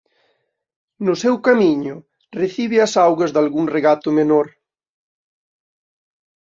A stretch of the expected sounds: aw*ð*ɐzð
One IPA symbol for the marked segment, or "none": ɣ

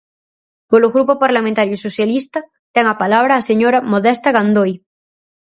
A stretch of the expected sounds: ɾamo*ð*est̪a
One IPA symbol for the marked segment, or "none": ð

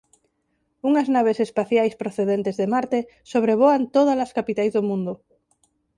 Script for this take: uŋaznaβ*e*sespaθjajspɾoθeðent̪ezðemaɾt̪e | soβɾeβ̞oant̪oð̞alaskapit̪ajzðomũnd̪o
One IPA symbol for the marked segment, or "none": e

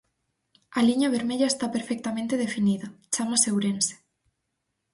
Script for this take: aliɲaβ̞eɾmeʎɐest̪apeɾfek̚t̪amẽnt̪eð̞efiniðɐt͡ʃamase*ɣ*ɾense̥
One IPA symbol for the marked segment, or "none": w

